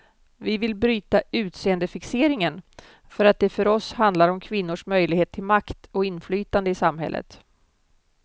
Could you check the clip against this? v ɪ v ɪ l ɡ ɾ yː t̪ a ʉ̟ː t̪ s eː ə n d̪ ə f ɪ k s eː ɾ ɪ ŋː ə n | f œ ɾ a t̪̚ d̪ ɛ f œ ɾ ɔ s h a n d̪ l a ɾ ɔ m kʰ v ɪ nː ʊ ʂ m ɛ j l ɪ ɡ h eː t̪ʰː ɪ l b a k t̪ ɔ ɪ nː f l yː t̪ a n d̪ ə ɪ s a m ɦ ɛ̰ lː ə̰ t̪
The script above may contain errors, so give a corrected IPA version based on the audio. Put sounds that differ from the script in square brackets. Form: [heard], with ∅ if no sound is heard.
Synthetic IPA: v ɪ v ɪ l [b] ɾ yː t̪ a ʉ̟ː t̪ s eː ə n d̪ ə f ɪ k s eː ɾ ɪ [ŋ] ə n | f œ ɾ a t̪̚ d̪ ɛ f œ ɾ ɔ s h a n d̪ l a ɾ ɔ m kʰ v ɪ nː ʊ ʂ m [œ] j l ɪ ɡ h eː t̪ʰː ɪ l [m] a k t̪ ɔ ɪ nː f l yː t̪ a n d̪ ə ɪ s a m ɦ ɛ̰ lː ə̰ t̪